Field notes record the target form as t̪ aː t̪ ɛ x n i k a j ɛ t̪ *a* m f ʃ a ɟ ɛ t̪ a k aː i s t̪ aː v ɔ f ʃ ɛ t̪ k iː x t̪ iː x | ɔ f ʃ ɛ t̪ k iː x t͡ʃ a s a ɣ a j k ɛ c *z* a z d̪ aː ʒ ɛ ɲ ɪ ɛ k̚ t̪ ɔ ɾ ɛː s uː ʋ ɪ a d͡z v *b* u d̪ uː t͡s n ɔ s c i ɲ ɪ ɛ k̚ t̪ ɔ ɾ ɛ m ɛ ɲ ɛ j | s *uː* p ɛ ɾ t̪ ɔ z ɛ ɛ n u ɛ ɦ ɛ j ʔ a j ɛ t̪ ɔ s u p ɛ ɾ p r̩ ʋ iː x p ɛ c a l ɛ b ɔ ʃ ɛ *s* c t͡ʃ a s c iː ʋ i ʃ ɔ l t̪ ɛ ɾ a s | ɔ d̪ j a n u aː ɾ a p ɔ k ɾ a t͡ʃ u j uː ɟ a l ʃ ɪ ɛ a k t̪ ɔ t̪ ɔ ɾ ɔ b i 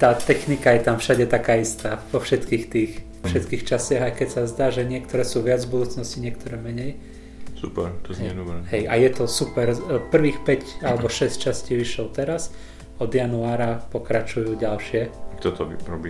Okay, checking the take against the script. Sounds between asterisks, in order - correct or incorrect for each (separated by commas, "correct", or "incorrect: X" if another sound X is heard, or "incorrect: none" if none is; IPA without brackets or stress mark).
correct, incorrect: s, correct, incorrect: u, correct